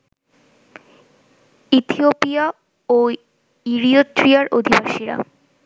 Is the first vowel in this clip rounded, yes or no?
no